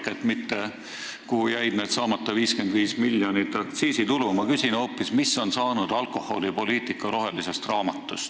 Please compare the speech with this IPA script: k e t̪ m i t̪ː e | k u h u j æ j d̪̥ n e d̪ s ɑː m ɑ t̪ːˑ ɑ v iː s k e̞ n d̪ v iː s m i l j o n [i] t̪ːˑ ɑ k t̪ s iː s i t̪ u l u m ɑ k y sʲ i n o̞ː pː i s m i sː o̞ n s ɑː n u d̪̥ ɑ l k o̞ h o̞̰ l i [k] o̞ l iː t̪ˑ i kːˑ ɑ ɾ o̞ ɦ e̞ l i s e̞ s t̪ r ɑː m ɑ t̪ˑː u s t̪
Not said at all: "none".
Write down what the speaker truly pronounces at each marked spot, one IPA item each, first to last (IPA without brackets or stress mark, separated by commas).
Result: i, p